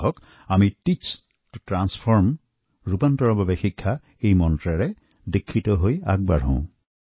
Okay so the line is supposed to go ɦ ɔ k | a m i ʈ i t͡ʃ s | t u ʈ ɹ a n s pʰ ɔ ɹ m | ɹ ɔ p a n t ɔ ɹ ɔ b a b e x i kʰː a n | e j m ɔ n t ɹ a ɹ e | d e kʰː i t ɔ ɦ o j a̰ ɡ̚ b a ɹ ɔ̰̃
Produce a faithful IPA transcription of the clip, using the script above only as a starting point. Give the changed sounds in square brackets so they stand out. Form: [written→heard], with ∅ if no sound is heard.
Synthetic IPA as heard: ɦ ɔ k | a m i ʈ i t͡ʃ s | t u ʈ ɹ a n s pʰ ɔ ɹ m | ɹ [ɔ→u] p a n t ɔ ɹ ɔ b a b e x i kʰː a [n→∅] | e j m ɔ n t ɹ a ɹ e | d e kʰː i t ɔ ɦ o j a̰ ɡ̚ b a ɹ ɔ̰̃